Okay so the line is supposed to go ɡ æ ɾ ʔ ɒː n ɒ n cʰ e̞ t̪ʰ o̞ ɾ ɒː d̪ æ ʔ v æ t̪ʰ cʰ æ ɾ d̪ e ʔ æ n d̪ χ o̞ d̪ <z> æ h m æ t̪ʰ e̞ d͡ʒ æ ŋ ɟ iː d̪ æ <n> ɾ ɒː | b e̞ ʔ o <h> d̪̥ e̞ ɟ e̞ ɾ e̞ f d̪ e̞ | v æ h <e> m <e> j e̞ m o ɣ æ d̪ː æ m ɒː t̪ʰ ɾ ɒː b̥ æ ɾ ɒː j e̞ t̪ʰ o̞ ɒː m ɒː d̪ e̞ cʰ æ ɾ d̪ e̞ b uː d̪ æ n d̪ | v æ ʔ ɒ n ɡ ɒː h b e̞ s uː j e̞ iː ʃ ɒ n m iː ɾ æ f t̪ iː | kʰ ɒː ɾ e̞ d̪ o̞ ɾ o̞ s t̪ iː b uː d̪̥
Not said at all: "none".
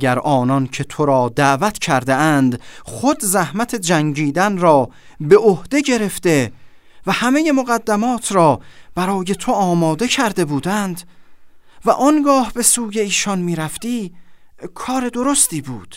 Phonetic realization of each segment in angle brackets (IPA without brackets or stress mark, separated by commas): z, n, h, æ, e